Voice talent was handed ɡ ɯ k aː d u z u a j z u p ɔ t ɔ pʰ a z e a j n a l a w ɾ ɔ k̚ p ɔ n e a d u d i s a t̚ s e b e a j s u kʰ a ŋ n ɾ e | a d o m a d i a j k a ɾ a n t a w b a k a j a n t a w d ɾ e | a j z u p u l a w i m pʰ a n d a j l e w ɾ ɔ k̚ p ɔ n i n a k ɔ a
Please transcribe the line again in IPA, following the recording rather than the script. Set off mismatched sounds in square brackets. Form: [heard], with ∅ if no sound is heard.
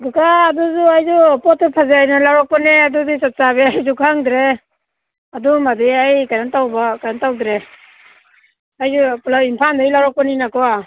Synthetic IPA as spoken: ɡ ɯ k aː d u z u a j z u p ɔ t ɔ pʰ a z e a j n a l a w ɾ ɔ k̚ p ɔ n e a d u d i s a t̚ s [a] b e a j [z] u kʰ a ŋ [d] ɾ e | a d [u] m a d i a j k a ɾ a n t a w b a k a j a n t a w d ɾ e | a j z u p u l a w i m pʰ a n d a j l [a] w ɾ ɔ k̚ p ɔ n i n a k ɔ a